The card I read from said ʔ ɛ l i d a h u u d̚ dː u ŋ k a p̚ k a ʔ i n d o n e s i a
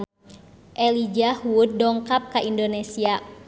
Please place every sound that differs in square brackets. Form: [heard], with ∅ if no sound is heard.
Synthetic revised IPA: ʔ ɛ l i [d͡ʒ] a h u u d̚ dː [ɔ] ŋ k a p̚ k a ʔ i n d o n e s i a